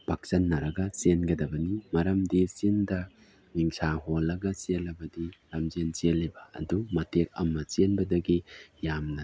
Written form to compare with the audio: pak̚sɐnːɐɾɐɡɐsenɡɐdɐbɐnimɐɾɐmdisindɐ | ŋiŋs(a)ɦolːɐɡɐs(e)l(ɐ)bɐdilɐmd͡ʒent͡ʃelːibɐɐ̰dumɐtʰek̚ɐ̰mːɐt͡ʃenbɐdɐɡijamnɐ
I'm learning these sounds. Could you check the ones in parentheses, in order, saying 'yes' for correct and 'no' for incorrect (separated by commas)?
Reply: yes, yes, yes